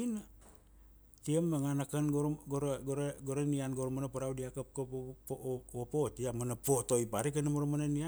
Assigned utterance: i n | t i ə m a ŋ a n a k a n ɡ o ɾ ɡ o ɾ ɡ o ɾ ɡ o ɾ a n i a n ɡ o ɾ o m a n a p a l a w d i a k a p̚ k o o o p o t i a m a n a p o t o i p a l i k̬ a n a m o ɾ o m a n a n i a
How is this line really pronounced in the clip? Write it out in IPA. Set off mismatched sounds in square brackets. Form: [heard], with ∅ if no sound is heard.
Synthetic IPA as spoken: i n | t i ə m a ŋ a n a k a n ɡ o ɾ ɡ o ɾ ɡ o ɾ ɡ o ɾ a n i a n ɡ o ɾ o m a n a p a [ɾ] a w d i a k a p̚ k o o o p o t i a m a n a p o t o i p a [ɾ] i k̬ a n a m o ɾ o m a n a n i a

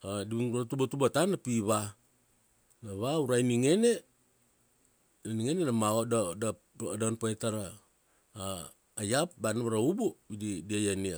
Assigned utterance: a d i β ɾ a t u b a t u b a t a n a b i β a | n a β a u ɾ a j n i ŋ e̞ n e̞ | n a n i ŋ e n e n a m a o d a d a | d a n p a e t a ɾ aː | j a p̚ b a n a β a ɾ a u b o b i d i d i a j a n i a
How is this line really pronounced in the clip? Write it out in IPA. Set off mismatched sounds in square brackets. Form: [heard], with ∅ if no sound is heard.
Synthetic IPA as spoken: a d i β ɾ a t u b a t u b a t a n a [p] i β a | n a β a u ɾ a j n i ŋ e̞ n e̞ | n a n i ŋ e n e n a m a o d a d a | d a n p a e t a ɾ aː | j a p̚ b a n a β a ɾ a u b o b i d i d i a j a n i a

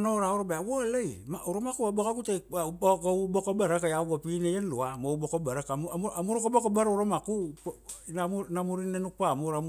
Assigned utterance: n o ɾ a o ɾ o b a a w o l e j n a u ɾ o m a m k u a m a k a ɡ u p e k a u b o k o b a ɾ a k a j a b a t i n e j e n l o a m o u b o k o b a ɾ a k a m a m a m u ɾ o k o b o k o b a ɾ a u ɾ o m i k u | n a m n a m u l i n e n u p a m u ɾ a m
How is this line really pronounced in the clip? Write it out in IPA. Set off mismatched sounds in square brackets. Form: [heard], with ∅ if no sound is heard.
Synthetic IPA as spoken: n o ɾ a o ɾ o b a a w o l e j [m] a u ɾ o m a [∅] k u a [b] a k a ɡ u [t] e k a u b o k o b a ɾ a k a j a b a [p] i n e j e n l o a m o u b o k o b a ɾ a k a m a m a m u ɾ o k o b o k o b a ɾ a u ɾ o m [a] k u | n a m n a m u [ɾ] i n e n u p a m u ɾ a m

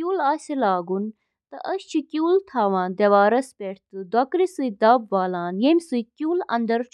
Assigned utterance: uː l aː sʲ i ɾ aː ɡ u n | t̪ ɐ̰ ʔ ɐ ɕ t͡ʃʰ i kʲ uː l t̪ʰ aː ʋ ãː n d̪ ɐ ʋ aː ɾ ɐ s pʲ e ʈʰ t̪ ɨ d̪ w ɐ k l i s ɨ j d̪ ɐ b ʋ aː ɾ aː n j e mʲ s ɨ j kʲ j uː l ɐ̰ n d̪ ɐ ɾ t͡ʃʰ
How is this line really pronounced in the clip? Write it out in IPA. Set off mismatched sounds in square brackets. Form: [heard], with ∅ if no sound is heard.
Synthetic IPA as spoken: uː l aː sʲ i [l] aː ɡ u n | t̪ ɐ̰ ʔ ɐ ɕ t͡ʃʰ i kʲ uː l t̪ʰ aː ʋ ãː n d̪ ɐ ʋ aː ɾ ɐ s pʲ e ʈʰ t̪ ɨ d̪ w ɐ k [ɾ] i s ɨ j d̪ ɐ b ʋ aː [l] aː n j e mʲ s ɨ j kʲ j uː l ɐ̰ n d̪ ɐ ɾ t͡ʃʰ

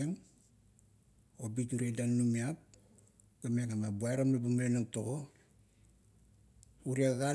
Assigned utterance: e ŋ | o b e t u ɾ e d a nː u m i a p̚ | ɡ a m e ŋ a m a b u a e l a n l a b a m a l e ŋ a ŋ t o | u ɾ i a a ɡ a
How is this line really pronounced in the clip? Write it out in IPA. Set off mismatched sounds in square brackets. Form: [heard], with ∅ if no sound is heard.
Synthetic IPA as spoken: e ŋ | o b [i] t u ɾ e d a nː u m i a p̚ | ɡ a m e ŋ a m a b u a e [ɾ] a [m] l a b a m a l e [n] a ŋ t o | u ɾ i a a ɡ a

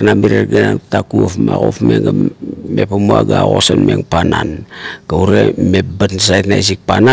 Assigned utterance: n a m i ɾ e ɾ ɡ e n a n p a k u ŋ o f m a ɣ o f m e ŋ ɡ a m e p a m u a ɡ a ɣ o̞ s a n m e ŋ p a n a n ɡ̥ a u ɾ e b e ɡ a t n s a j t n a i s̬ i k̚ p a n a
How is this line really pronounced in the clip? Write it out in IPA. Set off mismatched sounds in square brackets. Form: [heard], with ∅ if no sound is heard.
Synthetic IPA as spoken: n a m i ɾ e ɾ ɡ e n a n [t] a k u [∅] o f m a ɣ o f m e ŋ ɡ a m e p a m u a ɡ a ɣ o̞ s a n m e ŋ p a n a n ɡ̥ a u ɾ e [m] e [b] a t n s a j t n a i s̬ i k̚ p a n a

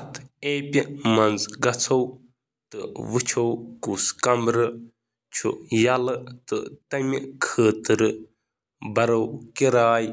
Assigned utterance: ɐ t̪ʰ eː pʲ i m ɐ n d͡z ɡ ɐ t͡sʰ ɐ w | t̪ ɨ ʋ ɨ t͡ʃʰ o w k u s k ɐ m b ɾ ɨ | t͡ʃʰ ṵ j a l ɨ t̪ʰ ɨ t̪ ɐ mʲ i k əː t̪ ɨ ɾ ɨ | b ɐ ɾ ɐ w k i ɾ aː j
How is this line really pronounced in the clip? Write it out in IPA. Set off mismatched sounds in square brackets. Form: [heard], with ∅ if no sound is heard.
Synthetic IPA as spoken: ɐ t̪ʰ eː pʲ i m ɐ n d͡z ɡ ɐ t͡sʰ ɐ w | t̪ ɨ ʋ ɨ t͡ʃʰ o w k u s k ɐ m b ɾ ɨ | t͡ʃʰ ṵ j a l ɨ [t̪] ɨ t̪ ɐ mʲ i [kʰ] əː t̪ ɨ ɾ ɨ | b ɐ ɾ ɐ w k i ɾ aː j

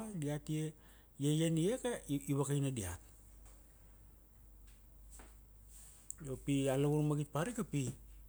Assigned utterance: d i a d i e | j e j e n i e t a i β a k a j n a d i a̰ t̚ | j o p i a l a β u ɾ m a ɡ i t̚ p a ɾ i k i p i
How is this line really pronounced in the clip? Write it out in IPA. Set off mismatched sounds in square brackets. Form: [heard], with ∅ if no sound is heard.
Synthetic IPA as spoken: d i a [t] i e | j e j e n i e [k] a i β a k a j n a d i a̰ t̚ | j o p i a l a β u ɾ m a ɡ i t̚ p a ɾ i k [a] p i

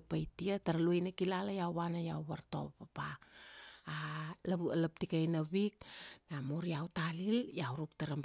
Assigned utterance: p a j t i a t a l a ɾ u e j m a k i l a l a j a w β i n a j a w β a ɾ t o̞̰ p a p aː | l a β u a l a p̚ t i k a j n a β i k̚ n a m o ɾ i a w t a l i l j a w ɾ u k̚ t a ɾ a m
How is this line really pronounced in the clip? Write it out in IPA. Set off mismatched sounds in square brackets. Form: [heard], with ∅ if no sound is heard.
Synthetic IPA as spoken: p a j t i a t a [ɾ] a [l] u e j [n] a k i l a l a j a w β [a] n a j a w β a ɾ t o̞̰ p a p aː | l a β u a l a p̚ t i k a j n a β i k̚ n a m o ɾ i a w t a l i l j a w ɾ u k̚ t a ɾ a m

